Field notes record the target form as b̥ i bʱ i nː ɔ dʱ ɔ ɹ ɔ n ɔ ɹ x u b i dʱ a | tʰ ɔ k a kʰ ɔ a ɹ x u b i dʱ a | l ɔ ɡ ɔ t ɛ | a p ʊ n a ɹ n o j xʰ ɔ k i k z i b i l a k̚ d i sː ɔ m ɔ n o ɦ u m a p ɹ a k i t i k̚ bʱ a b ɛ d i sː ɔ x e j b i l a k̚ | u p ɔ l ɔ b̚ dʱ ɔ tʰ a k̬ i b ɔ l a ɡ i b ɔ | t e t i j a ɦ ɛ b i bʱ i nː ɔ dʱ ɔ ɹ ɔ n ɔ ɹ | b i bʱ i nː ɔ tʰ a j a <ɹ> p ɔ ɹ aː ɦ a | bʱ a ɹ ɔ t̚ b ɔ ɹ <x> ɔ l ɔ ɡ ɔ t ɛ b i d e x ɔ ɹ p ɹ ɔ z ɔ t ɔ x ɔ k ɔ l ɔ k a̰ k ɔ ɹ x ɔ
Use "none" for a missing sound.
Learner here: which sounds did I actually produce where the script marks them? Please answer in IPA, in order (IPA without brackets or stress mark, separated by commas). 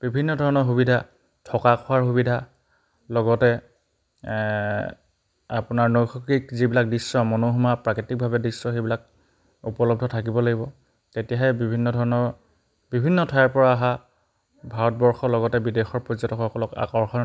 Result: ɹ, x